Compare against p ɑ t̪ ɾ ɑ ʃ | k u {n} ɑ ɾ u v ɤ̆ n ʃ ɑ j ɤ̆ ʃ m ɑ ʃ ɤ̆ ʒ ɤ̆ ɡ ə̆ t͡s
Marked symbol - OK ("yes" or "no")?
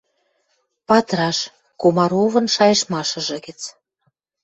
no